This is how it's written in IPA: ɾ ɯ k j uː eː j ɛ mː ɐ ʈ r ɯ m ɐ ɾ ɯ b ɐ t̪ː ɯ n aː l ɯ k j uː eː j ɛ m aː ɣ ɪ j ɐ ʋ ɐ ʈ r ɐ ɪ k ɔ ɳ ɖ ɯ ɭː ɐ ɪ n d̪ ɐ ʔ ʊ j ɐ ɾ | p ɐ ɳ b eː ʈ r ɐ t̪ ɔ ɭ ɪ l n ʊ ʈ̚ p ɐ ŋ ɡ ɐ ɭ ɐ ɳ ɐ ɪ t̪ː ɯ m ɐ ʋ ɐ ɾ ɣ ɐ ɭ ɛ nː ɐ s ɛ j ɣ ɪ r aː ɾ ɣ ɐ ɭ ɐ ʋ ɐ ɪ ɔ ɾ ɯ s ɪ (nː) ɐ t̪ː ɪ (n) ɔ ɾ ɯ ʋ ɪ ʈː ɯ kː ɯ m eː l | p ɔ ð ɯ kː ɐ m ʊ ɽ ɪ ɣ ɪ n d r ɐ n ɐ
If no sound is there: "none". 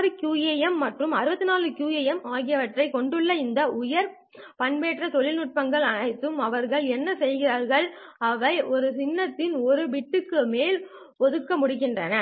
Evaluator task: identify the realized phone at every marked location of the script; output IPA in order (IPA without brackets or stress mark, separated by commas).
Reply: nː, n